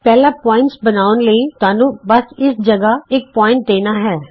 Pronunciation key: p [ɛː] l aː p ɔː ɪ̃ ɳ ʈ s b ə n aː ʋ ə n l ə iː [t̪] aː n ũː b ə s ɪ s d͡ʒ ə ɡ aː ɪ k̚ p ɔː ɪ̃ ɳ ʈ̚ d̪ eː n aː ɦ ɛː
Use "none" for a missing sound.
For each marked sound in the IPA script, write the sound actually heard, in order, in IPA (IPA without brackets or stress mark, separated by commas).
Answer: ɛː, t̪